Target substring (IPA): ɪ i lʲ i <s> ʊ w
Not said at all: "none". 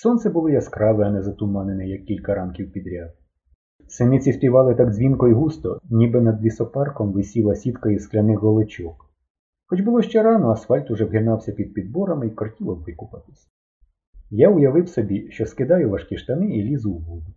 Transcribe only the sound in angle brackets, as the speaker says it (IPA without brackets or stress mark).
z